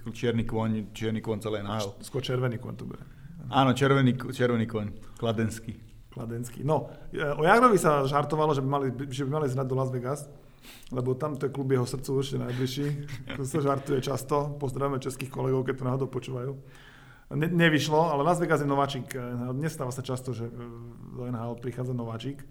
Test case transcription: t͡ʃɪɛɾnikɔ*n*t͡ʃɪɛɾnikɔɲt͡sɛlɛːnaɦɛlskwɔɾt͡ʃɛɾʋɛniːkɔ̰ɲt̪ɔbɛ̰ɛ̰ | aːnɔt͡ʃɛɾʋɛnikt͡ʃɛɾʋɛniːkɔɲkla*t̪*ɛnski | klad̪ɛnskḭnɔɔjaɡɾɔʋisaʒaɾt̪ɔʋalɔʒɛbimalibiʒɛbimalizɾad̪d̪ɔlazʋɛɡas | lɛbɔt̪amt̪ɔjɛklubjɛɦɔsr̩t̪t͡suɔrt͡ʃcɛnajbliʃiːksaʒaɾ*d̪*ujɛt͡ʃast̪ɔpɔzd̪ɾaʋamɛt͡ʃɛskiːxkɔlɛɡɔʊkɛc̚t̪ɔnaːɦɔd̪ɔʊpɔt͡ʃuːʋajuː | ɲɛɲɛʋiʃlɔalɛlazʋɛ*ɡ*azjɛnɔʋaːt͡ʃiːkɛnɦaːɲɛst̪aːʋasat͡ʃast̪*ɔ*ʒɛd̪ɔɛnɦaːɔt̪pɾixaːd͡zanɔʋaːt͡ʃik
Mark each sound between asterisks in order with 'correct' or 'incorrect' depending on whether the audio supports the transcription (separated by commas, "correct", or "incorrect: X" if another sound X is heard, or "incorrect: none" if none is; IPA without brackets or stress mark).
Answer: incorrect: ɲ, incorrect: d̪, incorrect: t̪, correct, correct